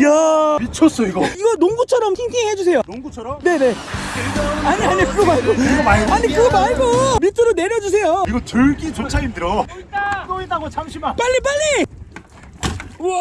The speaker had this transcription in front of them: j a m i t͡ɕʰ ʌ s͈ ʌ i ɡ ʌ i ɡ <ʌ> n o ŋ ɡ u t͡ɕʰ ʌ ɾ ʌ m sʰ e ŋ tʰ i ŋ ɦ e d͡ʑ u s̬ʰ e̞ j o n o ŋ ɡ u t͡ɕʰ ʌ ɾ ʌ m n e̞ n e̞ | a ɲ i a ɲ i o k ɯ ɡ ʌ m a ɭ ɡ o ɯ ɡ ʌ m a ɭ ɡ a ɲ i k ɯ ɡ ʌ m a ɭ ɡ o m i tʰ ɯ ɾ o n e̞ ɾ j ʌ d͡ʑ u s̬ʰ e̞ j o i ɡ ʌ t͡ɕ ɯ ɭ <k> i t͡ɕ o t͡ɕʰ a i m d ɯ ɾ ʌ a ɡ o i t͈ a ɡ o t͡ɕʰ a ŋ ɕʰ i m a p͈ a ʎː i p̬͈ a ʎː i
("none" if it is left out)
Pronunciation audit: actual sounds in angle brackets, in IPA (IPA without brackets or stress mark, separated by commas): ʌ, ɡ